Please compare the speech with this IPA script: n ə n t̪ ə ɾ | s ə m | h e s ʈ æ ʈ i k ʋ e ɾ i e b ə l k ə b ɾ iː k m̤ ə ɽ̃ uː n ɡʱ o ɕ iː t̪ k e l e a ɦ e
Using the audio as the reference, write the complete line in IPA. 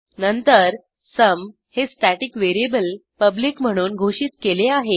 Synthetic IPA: n ə n t̪ ə ɾ | s ə m | h e s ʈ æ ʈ i k ʋ e ɾ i e b ə l p ə b l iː k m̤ ə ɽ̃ uː n ɡʱ o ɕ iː t̪ k e l e a ɦ e